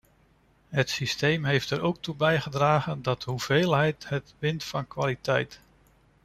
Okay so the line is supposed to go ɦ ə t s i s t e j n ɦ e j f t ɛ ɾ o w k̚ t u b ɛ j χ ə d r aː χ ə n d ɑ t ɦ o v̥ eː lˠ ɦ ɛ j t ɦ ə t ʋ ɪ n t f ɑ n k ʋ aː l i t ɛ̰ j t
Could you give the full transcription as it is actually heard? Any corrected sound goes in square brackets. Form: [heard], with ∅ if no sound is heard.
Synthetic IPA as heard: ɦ ə t s i s t e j [m] ɦ e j f t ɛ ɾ o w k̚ t u b ɛ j χ ə d r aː χ ə n d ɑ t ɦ [u] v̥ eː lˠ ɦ ɛ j t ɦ ə t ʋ ɪ n t f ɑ n k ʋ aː l i t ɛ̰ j t